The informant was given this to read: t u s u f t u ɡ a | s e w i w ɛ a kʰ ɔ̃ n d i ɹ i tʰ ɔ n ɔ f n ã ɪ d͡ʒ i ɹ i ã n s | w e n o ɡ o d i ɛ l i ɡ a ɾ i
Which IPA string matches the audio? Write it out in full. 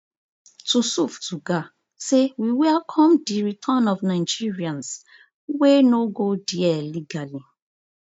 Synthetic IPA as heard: t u s u f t u ɡ a | s e w i w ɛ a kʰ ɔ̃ m d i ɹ i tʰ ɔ n ɔ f n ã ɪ d͡ʒ i ɹ i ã n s | w e n o ɡ o d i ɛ l i ɡ a l i

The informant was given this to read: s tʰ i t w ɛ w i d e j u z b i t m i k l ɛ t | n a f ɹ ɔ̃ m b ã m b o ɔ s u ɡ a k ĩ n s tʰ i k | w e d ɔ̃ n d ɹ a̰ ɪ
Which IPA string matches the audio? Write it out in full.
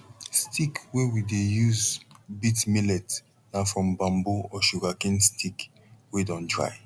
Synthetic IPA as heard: s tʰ i k w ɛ w i d e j u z b i t m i l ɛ t | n a f ɹ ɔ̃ m b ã m b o ɔ ʃ u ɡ a k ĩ n s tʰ i k | w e d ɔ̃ n d ɹ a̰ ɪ

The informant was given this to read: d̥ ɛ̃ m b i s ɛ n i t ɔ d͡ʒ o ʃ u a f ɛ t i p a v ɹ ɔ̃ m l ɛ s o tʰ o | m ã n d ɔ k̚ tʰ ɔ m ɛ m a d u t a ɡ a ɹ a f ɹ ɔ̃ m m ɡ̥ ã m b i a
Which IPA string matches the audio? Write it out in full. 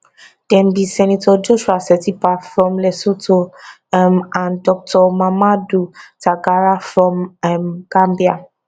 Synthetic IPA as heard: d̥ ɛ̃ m b i s ɛ n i t ɔ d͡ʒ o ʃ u a s ɛ t i p a f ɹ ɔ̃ m l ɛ s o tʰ o | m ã n d ɔ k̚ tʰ ɔ m a m a d u t a ɡ a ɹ a f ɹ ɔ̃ m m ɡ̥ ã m b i a

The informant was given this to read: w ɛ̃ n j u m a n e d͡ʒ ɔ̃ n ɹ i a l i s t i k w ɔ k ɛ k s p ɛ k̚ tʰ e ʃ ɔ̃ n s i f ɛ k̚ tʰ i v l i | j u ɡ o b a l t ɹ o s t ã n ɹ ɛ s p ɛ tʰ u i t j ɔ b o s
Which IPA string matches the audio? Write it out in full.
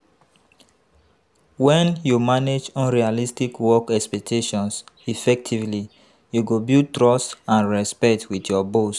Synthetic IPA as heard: w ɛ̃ n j u m a n e d͡ʒ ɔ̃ n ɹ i a l i s t i k w ɔ k ɛ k s p ɛ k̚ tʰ e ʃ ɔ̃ n s i f ɛ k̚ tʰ i v l i | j u ɡ o b i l t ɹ ɔ s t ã n ɹ ɛ s p ɛ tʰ w i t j ɔ b o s

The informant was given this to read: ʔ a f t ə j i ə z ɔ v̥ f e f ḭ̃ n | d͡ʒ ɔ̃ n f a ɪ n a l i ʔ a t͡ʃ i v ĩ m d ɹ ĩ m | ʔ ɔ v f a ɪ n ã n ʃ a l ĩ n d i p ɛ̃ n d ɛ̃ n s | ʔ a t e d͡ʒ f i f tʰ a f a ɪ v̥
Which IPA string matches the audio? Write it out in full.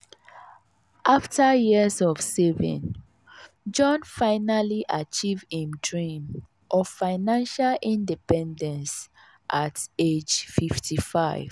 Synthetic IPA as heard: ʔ a f t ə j i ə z ɔ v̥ s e v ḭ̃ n | d͡ʒ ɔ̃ n f a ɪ n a l i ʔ a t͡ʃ i v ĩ m d ɹ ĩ m | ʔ ɔ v f a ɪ n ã n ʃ a l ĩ n d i p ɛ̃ n d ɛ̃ n s | ʔ a t e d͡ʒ f i f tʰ i f a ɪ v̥

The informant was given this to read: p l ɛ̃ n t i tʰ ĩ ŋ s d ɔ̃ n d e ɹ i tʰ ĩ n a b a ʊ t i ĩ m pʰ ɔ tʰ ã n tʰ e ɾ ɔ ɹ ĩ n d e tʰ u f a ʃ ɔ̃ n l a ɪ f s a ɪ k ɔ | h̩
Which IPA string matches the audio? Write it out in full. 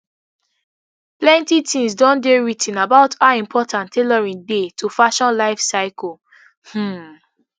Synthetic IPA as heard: p l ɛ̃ n t i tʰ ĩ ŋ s d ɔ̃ n d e ɹ i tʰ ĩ n a b a ʊ t a ĩ m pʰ ɔ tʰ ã n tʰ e l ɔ ɹ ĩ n d e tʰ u f a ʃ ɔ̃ n l a ɪ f s a ɪ k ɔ | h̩

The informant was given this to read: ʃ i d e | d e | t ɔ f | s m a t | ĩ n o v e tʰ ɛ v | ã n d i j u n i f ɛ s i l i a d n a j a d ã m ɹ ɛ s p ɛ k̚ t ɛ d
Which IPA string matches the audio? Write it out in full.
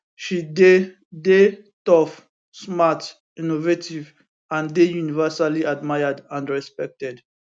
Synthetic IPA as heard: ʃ i d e | d e | t ɔ f | s m a t | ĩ n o v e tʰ i v | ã n d e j u n i v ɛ s a l i a d m a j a d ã n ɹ ɛ s p ɛ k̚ t ɛ d

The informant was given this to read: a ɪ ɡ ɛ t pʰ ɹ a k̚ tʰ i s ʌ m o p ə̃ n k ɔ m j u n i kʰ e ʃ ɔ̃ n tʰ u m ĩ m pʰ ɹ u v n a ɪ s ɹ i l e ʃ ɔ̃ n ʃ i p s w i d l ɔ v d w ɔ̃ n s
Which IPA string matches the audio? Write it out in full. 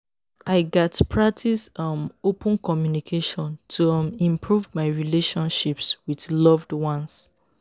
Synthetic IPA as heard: a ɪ ɡ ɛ t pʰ ɹ a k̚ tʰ i s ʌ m o p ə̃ n k ɔ m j u n i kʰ e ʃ ɔ̃ n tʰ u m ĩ m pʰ ɹ u v m a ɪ ɹ i l e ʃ ɔ̃ n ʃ i p s w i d l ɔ v d w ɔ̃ n s

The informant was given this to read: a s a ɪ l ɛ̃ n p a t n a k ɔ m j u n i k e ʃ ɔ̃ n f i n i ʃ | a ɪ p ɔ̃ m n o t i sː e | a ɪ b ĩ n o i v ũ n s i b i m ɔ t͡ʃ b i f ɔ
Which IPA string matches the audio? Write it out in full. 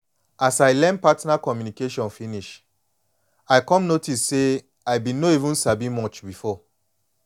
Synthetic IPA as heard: a s a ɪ l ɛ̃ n p a t n a k ɔ m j u n i k e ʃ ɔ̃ n f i n i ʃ | a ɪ k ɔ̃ m n o t i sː e | a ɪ b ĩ n o i v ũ n s a b i m ɔ t͡ʃ b i f ɔ

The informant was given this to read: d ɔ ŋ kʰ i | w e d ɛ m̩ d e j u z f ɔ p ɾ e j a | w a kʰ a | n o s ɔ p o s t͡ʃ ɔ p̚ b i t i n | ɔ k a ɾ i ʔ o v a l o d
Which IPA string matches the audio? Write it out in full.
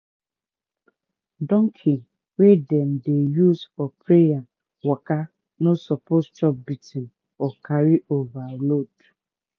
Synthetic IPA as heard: d ɔ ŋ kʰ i | w e d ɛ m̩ d e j u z f ɔ p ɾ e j a | w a k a | n o s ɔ p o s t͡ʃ ɔ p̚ b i t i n | ɔ k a ɾ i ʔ o v a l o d

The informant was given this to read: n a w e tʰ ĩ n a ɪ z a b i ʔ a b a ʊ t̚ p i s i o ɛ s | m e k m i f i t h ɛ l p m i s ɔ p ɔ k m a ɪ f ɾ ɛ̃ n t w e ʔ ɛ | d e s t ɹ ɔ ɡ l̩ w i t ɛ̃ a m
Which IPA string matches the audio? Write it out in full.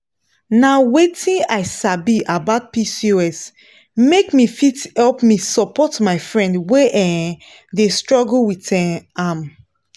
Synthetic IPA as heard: n a w e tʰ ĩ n a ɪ s a b i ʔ a b a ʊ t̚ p i s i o ɛ s | m e k m i f i t h ɛ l p m i s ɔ p ɔ t m a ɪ f ɹ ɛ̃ n d w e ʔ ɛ | d e s t ɹ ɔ ɡ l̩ w i t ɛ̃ a m

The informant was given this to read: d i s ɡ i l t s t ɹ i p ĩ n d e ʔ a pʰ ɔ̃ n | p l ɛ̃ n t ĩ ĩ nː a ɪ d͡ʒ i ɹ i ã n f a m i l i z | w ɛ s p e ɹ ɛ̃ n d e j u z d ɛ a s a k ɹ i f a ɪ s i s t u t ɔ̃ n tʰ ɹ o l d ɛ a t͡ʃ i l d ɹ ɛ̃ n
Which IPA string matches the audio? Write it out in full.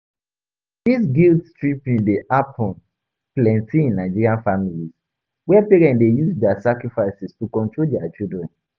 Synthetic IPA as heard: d i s ɡ i l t s t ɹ i p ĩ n d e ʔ a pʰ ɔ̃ n | p l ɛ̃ n t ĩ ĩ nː a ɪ d͡ʒ i ɹ i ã n f a m i l i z | w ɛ p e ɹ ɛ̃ n d e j u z d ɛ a s a k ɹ i f a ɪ s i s t u k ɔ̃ n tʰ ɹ o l d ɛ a t͡ʃ i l d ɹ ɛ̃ n

